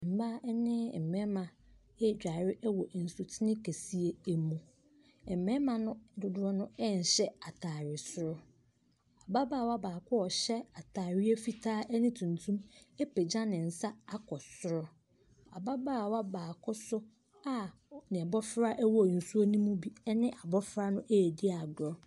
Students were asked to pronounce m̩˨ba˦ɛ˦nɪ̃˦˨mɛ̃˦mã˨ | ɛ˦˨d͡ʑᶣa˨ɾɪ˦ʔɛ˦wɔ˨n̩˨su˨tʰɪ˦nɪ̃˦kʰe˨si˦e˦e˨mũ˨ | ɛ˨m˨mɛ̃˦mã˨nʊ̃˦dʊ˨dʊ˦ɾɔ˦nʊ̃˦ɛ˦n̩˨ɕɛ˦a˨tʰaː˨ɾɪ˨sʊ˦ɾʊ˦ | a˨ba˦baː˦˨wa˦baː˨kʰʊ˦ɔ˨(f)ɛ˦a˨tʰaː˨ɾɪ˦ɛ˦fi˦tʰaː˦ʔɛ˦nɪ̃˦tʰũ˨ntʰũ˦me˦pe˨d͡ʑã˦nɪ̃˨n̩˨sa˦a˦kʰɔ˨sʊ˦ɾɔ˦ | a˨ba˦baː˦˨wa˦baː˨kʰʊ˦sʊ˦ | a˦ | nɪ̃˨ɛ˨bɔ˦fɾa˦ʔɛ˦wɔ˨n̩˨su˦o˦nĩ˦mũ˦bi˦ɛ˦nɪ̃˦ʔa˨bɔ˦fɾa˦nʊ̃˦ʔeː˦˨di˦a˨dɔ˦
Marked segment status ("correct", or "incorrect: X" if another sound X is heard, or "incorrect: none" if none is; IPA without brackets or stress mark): incorrect: ɕ